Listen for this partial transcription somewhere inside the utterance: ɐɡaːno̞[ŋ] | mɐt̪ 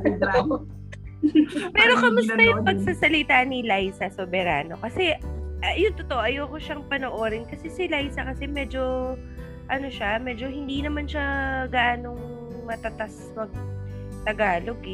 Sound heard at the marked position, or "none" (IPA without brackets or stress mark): ŋ